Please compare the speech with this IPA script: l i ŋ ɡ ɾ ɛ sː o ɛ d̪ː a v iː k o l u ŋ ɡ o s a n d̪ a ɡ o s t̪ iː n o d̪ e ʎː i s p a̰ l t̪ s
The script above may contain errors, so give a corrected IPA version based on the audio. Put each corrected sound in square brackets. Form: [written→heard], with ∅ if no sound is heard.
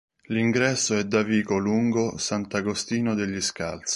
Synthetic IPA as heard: l i ŋ ɡ ɾ ɛ sː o ɛ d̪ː a v iː k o l u ŋ ɡ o s a n [d̪→t̪] a ɡ o s t̪ iː n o d̪ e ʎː i s [p→k] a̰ l t̪ s